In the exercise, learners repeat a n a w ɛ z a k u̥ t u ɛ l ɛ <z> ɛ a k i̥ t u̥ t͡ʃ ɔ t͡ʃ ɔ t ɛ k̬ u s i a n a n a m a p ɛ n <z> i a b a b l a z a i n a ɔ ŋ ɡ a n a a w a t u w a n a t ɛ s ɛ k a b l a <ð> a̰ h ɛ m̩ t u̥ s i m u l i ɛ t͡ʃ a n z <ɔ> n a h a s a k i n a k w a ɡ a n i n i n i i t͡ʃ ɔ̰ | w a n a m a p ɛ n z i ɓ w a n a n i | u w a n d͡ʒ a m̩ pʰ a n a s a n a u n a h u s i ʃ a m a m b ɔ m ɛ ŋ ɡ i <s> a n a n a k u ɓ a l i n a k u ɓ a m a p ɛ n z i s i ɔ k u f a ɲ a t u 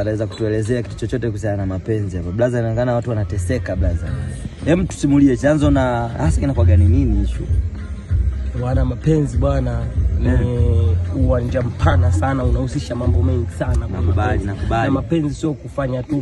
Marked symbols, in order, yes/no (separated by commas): yes, yes, no, yes, yes